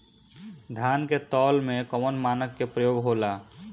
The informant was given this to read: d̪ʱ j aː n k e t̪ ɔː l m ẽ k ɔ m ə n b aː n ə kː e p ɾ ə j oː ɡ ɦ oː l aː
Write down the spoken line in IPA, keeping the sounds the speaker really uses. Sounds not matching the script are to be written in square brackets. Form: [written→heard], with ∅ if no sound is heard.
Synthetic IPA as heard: d̪ʱ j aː n k e t̪ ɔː l m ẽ k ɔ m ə n [b→m] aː n ə kː e p ɾ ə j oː ɡ ɦ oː l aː